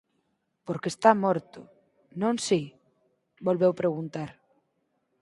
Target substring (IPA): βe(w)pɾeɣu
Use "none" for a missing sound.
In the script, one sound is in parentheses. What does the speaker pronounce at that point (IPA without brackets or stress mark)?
w